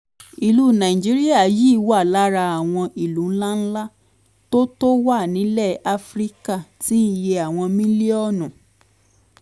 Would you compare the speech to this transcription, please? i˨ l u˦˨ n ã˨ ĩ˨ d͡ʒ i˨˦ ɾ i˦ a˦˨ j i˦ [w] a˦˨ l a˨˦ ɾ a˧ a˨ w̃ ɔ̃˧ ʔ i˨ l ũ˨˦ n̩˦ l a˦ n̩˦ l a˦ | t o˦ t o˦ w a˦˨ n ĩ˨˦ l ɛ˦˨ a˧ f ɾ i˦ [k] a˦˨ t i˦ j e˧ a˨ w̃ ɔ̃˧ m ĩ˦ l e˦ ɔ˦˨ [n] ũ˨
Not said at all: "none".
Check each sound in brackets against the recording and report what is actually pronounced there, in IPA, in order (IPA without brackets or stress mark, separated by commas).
w, k, n